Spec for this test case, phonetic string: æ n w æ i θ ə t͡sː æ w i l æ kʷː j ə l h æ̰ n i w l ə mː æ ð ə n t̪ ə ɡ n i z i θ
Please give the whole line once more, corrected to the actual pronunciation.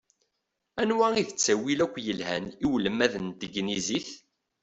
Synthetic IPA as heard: æ n w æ i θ ə t͡sː æ w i l æ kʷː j ə l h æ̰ n i w l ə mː æ ð ə n t̪ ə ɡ n i z i θ